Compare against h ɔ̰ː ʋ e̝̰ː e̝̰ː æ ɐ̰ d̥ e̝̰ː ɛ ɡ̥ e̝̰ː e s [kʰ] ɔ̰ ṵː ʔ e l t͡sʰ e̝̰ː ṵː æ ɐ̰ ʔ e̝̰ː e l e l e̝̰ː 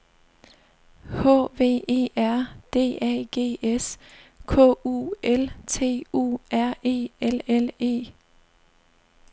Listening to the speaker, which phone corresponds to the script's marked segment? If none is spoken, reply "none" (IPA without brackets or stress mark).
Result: kʰ